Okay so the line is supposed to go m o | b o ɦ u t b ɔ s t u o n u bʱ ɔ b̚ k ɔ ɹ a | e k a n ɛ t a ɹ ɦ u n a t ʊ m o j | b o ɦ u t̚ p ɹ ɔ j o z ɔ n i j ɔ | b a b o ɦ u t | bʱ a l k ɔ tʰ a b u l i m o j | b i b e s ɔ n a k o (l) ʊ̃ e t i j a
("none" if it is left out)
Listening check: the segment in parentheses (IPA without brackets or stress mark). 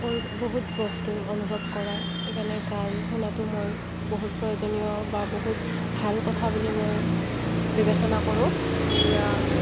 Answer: ɹ